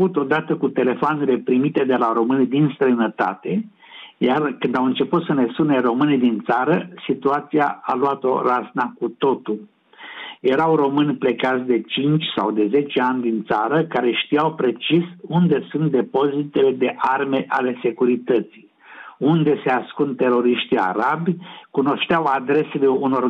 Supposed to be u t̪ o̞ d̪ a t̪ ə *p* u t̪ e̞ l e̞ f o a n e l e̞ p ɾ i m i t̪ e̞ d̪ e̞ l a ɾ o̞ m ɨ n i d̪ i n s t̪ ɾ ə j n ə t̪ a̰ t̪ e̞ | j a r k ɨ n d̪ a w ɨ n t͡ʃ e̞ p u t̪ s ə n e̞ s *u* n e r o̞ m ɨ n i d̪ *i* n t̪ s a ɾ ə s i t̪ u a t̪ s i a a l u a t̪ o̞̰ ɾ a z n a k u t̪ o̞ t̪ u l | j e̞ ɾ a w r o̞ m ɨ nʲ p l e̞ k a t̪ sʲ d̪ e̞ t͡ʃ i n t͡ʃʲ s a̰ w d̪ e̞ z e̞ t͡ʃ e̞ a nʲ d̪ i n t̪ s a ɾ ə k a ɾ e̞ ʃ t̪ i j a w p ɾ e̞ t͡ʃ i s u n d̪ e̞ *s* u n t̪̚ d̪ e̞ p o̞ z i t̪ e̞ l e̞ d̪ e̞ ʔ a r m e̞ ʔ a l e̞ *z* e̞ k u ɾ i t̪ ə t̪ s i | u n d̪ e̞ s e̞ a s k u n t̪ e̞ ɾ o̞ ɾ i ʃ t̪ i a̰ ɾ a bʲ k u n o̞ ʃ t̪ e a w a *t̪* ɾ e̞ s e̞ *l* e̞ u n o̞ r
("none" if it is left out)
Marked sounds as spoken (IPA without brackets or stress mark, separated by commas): k, u, i, s, s, d̪, l